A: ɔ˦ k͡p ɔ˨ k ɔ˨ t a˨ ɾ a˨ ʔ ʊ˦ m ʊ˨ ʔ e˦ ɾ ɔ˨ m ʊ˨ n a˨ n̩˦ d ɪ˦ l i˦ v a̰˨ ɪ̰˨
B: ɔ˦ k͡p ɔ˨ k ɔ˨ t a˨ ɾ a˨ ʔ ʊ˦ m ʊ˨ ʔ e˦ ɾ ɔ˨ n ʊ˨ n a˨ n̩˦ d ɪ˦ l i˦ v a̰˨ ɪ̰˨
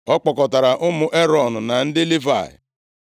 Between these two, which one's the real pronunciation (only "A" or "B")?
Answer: B